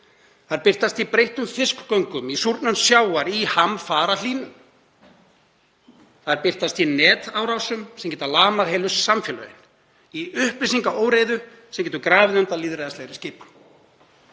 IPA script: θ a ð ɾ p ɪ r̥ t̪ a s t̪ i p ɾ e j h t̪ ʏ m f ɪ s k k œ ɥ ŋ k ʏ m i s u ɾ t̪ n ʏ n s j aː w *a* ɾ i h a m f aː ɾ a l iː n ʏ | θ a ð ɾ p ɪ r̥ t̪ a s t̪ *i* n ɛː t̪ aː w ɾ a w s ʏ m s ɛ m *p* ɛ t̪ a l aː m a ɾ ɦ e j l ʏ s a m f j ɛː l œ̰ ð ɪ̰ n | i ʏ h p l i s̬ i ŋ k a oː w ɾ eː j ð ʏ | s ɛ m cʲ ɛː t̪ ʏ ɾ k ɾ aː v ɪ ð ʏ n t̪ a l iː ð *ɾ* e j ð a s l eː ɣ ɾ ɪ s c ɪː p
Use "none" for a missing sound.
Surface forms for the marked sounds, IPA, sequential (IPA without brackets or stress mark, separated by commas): a, i, c, ɾ